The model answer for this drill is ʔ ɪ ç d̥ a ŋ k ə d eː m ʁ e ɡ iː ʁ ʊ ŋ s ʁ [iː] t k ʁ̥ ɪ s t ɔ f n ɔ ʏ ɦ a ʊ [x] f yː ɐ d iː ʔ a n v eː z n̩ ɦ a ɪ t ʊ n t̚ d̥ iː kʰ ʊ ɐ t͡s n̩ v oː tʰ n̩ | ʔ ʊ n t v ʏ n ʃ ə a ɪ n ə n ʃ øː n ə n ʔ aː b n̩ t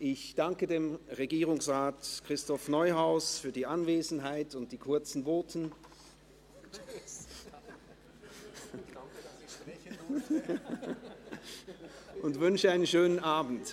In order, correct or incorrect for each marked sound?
incorrect, incorrect

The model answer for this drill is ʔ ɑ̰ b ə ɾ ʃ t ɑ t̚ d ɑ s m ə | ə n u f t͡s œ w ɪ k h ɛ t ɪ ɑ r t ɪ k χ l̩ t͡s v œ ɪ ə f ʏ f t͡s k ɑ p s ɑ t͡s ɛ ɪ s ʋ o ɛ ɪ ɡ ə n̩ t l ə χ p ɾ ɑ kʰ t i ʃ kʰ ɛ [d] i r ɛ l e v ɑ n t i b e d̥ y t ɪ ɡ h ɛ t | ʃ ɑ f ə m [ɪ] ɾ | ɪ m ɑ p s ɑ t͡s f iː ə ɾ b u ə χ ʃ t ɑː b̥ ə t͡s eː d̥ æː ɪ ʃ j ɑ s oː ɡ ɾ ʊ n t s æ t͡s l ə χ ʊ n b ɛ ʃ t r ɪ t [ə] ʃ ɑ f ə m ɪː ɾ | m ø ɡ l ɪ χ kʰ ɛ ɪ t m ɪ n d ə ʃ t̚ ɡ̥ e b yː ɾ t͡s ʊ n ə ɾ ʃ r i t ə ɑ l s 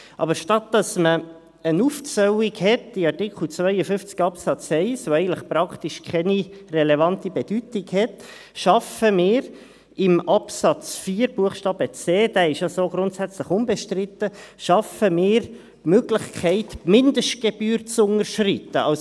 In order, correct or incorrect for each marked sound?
incorrect, incorrect, correct

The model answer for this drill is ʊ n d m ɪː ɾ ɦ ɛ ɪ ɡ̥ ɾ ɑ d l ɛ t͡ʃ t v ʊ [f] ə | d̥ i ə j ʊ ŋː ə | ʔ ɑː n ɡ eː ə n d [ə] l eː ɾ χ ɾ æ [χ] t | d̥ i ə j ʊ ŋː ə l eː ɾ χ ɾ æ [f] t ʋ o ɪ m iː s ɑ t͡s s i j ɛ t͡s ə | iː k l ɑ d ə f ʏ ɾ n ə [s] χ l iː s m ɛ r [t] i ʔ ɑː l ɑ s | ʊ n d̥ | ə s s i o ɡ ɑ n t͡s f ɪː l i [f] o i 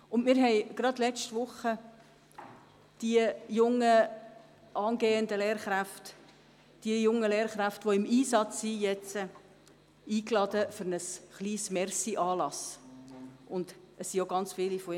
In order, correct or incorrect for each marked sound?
incorrect, correct, incorrect, correct, correct, incorrect, correct

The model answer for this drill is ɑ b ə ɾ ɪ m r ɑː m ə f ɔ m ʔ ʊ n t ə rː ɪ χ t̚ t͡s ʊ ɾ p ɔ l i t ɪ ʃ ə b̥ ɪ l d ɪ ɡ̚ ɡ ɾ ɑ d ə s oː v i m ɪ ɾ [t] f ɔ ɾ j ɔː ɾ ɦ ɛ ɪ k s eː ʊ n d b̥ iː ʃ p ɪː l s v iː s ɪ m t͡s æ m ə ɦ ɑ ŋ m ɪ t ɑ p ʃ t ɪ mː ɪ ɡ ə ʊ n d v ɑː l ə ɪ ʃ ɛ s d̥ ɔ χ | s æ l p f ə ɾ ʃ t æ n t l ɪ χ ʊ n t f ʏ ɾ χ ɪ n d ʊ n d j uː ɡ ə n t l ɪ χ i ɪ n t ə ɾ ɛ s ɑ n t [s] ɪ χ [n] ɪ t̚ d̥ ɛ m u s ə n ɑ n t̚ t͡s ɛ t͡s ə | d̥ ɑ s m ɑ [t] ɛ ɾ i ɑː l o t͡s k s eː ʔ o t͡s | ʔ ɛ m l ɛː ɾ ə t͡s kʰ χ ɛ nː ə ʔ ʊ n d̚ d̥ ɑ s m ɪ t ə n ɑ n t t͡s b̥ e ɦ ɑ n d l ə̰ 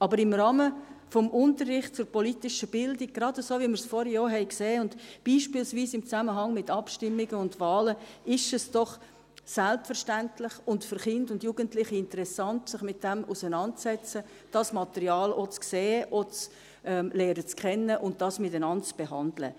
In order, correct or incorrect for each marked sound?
incorrect, correct, incorrect, correct

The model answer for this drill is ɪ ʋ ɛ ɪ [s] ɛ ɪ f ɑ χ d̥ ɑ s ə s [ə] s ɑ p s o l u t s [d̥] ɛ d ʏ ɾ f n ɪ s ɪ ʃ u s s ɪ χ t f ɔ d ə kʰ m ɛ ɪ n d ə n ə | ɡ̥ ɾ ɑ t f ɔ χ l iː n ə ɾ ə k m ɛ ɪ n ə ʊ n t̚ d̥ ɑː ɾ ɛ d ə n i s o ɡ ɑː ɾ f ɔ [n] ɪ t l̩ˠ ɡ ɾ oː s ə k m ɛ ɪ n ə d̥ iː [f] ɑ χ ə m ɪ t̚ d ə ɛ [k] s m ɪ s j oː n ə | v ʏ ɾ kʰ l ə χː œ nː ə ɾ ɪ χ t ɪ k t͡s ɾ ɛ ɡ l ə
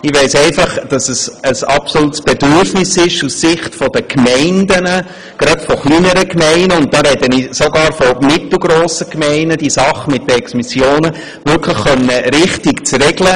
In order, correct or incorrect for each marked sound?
correct, correct, incorrect, incorrect, incorrect, correct

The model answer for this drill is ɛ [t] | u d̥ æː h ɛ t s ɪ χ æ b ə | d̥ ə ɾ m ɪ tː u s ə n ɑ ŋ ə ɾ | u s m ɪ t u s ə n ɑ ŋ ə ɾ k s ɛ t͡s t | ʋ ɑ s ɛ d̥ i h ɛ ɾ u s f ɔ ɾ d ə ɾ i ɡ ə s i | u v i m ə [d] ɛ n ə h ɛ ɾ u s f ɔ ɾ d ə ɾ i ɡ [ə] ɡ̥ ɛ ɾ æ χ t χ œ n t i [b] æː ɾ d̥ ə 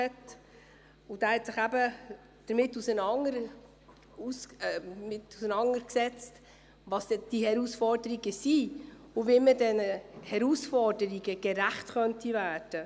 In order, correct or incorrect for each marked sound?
correct, correct, correct, incorrect

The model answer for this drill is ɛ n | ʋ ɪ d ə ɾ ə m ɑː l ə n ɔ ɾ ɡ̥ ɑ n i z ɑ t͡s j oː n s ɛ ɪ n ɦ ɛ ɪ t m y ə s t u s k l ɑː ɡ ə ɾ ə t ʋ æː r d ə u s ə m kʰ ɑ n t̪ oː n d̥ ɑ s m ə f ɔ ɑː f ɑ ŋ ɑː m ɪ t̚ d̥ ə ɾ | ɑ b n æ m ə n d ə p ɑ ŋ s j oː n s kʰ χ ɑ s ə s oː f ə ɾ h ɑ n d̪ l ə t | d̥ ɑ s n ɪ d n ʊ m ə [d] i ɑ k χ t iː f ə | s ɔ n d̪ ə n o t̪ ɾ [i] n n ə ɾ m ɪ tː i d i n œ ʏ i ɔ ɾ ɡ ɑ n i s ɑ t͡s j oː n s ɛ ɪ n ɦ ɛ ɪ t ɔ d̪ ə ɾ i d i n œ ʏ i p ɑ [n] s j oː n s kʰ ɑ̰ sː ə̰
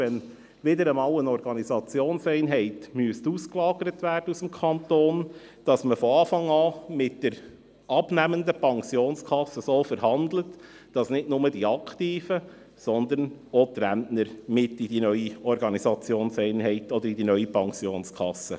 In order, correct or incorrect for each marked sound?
correct, incorrect, incorrect

